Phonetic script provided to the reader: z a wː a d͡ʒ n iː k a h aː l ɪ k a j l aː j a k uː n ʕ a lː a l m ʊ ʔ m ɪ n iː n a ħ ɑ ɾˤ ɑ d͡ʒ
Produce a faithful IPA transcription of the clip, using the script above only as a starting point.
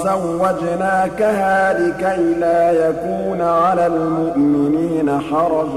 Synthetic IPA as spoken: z a wː a d͡ʒ n aː k a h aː l ɪ k a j l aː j a k uː n ʕ a l a l m ʊ ʔ m ɪ n iː n a ħ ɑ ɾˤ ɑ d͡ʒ